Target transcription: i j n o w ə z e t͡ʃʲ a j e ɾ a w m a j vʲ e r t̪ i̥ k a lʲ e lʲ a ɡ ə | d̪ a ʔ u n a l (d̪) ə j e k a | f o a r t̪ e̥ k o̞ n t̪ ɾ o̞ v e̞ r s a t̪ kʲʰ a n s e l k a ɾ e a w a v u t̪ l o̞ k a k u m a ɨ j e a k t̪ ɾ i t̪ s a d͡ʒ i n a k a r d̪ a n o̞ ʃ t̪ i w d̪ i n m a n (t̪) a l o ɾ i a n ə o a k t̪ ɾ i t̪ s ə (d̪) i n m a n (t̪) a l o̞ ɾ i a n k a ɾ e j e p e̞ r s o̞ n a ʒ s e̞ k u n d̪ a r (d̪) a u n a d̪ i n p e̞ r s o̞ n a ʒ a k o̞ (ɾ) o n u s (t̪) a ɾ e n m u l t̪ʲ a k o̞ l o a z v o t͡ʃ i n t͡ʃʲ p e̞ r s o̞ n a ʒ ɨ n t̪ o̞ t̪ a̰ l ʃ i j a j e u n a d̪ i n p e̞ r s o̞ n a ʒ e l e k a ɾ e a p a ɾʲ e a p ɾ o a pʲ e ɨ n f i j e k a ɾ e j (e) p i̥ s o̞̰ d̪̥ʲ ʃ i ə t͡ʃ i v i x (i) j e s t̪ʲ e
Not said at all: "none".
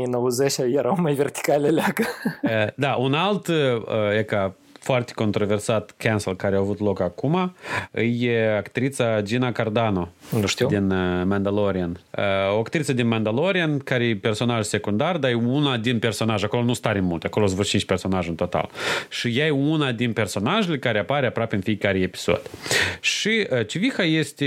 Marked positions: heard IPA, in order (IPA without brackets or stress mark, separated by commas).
t̪, d̪, d̪, d̪, d̪, l, t̪, e, a